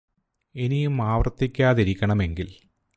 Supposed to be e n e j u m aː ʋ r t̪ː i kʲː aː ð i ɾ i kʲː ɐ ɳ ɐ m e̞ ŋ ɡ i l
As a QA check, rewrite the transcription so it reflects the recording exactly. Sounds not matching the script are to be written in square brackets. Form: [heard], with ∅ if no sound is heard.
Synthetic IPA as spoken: e n [i] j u m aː ʋ r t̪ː i kʲː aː ð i ɾ i kʲː ɐ ɳ ɐ m e̞ ŋ ɡ i l